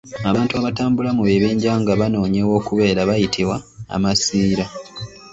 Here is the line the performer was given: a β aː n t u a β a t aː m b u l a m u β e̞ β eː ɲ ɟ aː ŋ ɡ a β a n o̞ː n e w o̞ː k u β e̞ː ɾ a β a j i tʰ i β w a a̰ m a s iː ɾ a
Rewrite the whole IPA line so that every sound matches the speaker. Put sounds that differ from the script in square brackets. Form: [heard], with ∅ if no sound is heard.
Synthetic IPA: a β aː n t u a β a t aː m b u l a m u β e̞ β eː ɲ ɟ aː ŋ ɡ a β a n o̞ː [ɲ] e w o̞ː k u β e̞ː ɾ a β a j i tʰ i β w a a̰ m a s iː ɾ a